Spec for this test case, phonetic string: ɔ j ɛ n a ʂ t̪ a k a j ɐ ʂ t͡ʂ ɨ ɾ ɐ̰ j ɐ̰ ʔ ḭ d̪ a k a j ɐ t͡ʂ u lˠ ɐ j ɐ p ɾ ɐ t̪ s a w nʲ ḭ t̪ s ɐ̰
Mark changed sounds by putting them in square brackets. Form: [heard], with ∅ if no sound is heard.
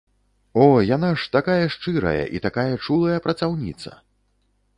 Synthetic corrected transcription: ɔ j [a] n a ʂ t̪ a k a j ɐ ʂ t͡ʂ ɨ ɾ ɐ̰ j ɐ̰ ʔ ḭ [t̪] a k a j ɐ t͡ʂ u lˠ ɐ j ɐ p ɾ ɐ t̪ s a w nʲ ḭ t̪ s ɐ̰